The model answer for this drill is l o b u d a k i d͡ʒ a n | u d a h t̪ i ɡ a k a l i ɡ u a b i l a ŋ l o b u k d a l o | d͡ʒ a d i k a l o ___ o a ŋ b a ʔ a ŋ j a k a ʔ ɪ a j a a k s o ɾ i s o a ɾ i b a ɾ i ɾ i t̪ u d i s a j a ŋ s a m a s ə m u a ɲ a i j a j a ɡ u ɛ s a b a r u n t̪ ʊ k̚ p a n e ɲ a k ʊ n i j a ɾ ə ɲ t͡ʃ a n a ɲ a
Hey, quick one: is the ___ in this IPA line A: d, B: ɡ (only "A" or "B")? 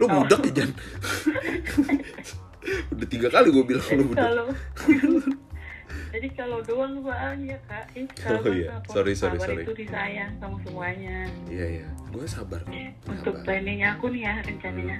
A